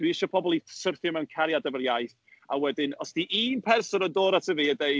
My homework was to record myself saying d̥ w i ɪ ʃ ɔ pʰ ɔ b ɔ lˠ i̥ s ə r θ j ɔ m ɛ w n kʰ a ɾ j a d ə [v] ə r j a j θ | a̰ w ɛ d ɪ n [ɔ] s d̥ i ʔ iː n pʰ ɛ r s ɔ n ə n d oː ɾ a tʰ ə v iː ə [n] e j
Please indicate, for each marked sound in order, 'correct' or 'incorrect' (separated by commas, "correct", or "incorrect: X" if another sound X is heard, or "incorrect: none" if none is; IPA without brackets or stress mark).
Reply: correct, correct, incorrect: d